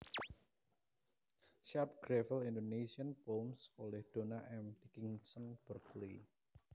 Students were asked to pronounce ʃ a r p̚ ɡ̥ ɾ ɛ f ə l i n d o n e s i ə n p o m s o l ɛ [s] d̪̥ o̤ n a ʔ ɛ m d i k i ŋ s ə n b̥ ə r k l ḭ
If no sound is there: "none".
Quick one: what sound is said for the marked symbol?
h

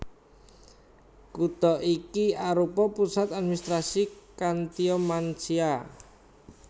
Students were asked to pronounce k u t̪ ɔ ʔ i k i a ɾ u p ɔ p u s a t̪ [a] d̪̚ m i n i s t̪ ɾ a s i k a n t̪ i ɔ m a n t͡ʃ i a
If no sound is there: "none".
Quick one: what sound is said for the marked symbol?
a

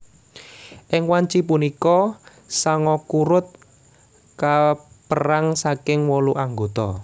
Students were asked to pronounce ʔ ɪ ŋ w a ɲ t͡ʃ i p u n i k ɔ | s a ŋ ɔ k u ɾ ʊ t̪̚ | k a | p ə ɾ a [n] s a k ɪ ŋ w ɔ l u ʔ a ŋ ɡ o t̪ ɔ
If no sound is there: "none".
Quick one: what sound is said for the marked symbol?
ŋ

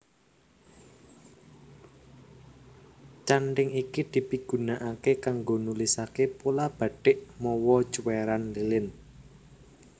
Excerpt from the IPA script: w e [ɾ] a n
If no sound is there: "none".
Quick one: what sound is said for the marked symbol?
ɾ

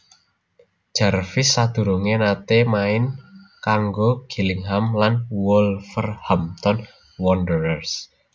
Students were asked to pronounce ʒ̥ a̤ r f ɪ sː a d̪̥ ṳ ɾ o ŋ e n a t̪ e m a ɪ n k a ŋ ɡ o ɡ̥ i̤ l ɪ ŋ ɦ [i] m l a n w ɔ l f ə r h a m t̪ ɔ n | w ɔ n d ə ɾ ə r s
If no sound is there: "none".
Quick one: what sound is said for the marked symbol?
a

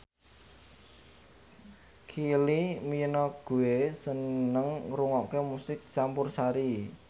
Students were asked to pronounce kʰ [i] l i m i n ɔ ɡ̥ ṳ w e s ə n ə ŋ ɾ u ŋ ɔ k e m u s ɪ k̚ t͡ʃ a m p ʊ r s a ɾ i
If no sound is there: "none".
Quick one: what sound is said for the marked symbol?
i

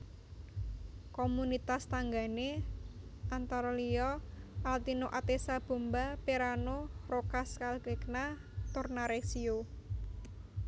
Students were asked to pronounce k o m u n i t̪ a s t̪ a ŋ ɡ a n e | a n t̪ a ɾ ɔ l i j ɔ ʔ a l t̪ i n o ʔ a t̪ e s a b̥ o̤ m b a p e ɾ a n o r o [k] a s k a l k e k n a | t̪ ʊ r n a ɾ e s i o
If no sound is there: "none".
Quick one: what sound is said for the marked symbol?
k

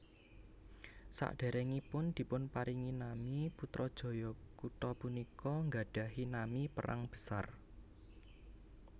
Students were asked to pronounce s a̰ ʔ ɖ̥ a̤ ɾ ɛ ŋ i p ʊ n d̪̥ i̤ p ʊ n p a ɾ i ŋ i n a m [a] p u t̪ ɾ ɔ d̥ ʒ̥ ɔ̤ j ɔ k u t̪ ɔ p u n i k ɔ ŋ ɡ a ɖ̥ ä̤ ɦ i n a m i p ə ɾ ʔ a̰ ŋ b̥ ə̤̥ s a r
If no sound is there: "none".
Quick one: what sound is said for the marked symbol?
i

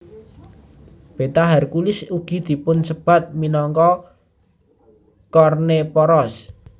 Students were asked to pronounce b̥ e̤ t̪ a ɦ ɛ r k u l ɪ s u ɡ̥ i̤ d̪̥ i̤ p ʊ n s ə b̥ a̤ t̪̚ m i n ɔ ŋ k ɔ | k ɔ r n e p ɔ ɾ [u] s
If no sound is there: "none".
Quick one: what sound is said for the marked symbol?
ɔ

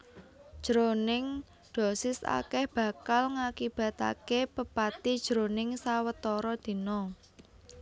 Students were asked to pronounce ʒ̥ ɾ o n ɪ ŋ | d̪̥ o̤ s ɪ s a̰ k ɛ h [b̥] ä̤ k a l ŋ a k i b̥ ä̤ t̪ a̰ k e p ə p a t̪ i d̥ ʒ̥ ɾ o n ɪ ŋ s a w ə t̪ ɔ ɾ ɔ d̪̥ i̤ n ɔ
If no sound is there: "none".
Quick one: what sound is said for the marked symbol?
b̥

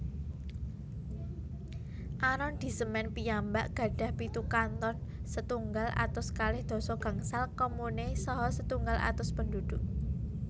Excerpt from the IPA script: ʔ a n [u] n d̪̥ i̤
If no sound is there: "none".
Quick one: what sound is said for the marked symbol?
ɔ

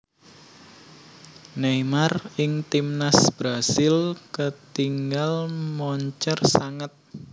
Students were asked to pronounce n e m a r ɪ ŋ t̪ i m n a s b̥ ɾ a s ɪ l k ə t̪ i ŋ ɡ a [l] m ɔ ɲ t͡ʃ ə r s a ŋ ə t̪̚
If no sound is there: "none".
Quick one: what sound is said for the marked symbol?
l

